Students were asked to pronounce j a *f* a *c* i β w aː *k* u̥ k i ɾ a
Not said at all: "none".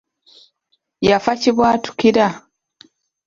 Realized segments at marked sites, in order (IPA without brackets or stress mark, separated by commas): f, c, t